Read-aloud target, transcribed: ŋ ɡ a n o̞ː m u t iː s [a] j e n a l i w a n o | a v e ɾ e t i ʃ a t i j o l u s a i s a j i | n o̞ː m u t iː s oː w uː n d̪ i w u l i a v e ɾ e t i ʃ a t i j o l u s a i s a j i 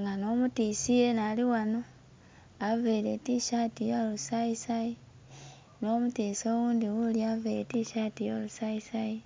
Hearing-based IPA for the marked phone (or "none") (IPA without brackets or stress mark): i